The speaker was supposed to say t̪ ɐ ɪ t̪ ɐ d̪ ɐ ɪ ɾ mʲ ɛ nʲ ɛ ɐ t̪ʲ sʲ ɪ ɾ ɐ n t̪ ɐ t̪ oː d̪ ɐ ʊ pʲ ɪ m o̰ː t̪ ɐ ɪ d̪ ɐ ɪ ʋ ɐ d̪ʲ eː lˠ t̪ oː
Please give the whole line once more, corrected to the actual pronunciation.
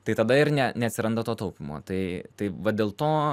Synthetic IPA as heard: t̪ ɐ ɪ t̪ ɐ d̪ ɐ ɪ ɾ nʲ ɛ nʲ ɛ ɐ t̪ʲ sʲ ɪ ɾ ɐ n d̪ ɐ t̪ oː t̪ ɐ ʊ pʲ ɪ m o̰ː t̪ ɐ ɪ t̪ ɐ ɪ ʋ ɐ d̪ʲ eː lˠ t̪ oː

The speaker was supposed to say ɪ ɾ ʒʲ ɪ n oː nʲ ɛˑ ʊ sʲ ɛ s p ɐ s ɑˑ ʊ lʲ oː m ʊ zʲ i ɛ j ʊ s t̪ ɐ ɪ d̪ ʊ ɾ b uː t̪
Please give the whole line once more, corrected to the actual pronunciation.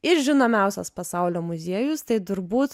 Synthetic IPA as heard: ɪ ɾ ʒʲ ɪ n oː mʲ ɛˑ ʊ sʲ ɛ s p ɐ s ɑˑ ʊ lʲ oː m ʊ zʲ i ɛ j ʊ s t̪ ɐ ɪ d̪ ʊ ɾ b uː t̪

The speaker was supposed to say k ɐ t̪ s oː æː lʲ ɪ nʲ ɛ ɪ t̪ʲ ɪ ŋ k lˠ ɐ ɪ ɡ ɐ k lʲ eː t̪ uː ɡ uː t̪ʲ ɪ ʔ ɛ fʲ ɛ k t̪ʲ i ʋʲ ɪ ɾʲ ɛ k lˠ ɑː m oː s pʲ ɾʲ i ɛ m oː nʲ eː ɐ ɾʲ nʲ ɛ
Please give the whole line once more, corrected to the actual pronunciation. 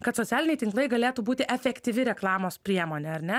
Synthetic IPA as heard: k ɐ t̪ s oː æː lʲ ɪ nʲ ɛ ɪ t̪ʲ ɪ ŋ k lˠ ɐ ɪ ɡ ɐ lʲ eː t̪ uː b uː t̪ʲ ɪ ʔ ɛ fʲ ɛ k t̪ʲ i ʋʲ ɪ ɾʲ ɛ k lˠ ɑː m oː s pʲ ɾʲ i ɛ m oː nʲ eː ɐ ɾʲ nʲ ɛ

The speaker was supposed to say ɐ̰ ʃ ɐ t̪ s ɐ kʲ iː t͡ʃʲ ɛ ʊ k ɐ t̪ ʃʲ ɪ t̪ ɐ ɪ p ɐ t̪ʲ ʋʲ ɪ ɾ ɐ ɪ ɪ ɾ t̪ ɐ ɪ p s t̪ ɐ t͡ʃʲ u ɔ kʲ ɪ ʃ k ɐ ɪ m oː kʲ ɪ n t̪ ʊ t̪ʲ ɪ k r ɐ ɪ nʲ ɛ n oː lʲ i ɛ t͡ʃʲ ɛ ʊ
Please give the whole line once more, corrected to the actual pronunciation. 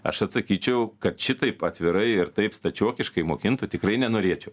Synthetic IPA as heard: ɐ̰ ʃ ɐ t̪ s ɐ kʲ iː t͡ʃʲ ɛ ʊ k ɐ t̪ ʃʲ ɪ t̪ ɐ ɪ p ɐ t̪ʲ ʋʲ ɪ ɾ ɐ ɪ ɪ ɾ t̪ ɐ ɪ p s t̪ ɐ t͡ʃʲ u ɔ kʲ ɪ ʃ k ɐ ɪ m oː kʲ ɪ n t̪ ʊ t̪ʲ ɪ k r ɐ ɪ nʲ ɛ n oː ɾʲ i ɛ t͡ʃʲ ɛ ʊ

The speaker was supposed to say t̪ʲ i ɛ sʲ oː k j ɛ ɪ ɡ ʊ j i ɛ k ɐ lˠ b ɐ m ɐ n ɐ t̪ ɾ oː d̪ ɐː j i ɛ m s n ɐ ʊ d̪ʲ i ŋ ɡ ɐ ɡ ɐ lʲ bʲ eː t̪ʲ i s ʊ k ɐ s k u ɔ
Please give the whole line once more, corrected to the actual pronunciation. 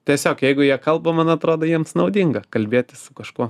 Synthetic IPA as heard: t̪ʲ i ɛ sʲ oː k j ɛ ɪ ɡ ʊ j i ɛ k ɐ lˠ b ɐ m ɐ n ɐ t̪ ɾ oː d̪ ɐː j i ɛ m s n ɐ ʊ d̪ʲ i ŋ ɡ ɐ k ɐ lʲ bʲ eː t̪ʲ ɪ s ʊ k ɐ ʃ k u ɔ

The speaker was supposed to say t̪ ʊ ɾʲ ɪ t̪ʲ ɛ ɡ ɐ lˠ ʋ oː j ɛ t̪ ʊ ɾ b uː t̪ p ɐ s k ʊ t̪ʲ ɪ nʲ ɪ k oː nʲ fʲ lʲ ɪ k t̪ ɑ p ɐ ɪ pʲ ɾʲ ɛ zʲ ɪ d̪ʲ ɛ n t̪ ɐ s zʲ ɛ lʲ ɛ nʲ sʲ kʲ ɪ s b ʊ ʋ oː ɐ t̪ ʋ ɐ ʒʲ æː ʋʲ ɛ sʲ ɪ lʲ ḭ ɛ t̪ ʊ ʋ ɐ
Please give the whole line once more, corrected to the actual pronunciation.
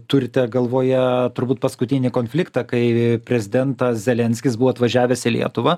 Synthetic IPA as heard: t̪ ʊ ɾʲ ɪ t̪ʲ ɛ ɡ ɐ lˠ ʋ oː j ɛ t̪ ʊ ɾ b uː t̪ p ɐ s k ʊ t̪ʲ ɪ nʲ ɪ k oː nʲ fʲ lʲ ɪ k t̪ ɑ k ɐ ɪ pʲ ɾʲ ɛ zʲ ɪ d̪ʲ ɛ n t̪ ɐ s zʲ ɛ lʲ ɛ nʲ sʲ kʲ ɪ s b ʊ ʋ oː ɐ t̪ ʋ ɐ ʒʲ æː ʋʲ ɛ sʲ ɪ lʲ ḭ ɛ t̪ ʊ ʋ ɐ

